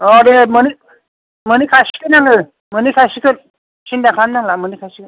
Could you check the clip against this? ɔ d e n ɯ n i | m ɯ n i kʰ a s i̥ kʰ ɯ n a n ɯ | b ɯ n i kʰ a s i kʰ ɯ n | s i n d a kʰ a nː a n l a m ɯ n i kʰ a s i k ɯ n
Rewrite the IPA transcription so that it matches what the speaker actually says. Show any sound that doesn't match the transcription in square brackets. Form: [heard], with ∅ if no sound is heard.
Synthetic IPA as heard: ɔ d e [m] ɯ n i | m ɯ n i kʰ a s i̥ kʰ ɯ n a [ŋ] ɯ | [m] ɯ n i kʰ a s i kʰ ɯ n | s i n d a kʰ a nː a [ŋ] l a m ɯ n i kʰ a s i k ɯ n